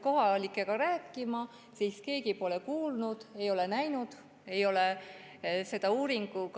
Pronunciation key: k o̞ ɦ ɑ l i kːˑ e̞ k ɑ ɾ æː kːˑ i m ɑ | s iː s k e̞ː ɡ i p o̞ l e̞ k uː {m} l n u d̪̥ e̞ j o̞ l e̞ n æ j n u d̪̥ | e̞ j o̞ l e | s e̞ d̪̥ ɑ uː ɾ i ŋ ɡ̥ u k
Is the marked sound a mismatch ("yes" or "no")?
yes